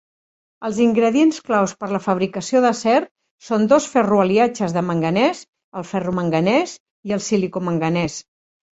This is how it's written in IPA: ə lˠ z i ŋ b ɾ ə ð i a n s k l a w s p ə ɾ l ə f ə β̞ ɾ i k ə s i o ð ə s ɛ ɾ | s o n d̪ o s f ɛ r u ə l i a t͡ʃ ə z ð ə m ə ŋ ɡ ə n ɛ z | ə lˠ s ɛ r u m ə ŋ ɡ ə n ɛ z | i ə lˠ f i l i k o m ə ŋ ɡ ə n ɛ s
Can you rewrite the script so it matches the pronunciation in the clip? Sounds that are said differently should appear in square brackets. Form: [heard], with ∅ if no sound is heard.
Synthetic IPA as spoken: ə lˠ z i ŋ [ɡ] ɾ ə ð i [e] n s k l a w s p ə ɾ l ə f ə β̞ ɾ i k ə s i o ð ə s ɛ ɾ | s o n d̪ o s f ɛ r u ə l i a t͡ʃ ə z ð ə m ə ŋ ɡ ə n ɛ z | ə lˠ [f] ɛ r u m ə ŋ ɡ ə n ɛ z | i ə lˠ [s] i l i k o m ə ŋ ɡ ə n ɛ s